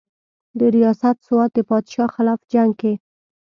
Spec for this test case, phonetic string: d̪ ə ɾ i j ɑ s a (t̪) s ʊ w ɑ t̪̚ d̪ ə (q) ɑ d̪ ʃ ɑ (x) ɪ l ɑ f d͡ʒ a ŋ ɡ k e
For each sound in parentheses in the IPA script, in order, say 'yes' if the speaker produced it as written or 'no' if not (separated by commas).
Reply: yes, no, yes